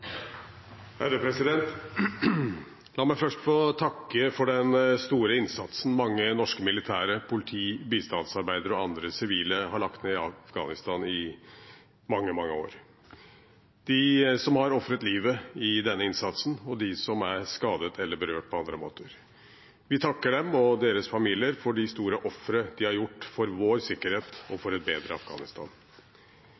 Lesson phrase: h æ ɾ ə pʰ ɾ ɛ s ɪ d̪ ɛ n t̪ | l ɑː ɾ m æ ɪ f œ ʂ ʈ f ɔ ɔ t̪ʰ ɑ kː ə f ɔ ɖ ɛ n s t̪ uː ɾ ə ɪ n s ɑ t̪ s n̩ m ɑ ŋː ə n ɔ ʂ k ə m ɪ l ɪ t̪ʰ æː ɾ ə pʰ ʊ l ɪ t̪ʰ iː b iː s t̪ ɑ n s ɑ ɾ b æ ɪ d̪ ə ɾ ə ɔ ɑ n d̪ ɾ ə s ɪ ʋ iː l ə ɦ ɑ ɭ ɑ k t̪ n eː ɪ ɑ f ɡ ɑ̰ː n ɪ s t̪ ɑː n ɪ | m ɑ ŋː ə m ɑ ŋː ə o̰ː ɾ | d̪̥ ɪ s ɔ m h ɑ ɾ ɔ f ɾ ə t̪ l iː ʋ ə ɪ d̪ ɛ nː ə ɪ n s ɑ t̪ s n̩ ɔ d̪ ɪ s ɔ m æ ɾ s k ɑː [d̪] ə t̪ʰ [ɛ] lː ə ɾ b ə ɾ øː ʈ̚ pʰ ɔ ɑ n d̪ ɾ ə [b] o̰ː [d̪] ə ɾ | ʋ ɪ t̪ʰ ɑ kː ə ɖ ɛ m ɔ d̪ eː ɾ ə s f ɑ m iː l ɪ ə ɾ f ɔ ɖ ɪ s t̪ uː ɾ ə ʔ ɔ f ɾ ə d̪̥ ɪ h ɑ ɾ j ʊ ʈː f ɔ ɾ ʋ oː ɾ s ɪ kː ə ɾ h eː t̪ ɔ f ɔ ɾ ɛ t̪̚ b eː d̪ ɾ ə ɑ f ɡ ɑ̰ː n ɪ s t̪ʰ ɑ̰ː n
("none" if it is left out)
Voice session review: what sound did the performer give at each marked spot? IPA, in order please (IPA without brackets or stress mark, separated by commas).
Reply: d̪, ɛ, m, t̪